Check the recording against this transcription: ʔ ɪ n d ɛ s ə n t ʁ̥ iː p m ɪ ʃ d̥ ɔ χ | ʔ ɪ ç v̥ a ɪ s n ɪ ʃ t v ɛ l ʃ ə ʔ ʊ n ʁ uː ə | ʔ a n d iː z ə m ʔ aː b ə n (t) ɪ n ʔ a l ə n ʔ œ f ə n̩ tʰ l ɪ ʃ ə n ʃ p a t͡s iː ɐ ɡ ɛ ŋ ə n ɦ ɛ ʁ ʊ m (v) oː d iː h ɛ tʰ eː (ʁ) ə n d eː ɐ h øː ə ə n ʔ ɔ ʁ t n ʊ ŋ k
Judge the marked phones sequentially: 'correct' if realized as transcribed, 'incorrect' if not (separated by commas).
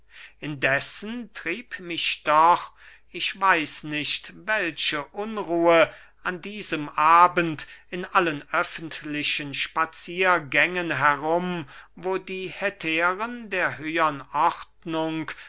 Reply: correct, correct, correct